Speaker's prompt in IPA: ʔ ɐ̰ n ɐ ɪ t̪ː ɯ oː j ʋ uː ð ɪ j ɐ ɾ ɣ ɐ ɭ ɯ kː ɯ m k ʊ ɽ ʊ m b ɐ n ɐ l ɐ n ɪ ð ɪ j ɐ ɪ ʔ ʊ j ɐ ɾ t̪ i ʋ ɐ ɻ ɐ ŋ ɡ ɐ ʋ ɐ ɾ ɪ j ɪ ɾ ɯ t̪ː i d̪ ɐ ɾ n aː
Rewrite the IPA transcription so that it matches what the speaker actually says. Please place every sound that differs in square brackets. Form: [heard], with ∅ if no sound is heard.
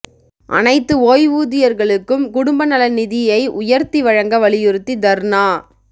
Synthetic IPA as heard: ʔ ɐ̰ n ɐ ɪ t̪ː ɯ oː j ʋ uː ð ɪ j ɐ ɾ ɣ ɐ ɭ ɯ kː ɯ m k ʊ ɽ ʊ m b ɐ n ɐ l ɐ n ɪ ð ɪ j ɐ ɪ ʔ ʊ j ɐ ɾ t̪ i ʋ ɐ ɻ ɐ ŋ ɡ ɐ ʋ ɐ [ɭ] ɪ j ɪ ɾ ɯ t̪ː i d̪ ɐ ɾ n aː